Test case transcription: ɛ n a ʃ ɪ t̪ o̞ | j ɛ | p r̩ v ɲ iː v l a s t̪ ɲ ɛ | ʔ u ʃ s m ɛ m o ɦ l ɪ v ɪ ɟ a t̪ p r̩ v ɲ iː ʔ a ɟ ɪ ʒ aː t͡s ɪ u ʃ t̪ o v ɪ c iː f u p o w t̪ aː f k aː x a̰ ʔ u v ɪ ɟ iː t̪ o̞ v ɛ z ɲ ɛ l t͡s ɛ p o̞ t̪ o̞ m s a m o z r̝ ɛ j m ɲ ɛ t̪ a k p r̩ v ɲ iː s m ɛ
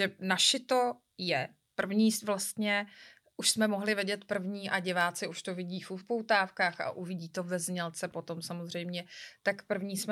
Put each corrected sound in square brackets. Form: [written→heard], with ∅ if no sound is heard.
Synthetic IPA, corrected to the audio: ɛ n a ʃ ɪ t̪ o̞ | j ɛ | p r̩ v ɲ iː v l a s t̪ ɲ ɛ | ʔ u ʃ s m ɛ m o ɦ l ɪ v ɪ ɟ [a→ɛ] t̪ p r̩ v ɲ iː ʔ a ɟ ɪ [ʒ→v] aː t͡s ɪ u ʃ t̪ o v ɪ [c→ɟ] iː f u p o w t̪ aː f k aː x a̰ ʔ u v ɪ ɟ iː t̪ o̞ v ɛ z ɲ ɛ l t͡s ɛ p o̞ t̪ o̞ m s a m o z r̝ ɛ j m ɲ ɛ t̪ a k p r̩ v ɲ iː s m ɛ